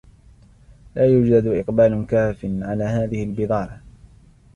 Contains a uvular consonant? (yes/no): yes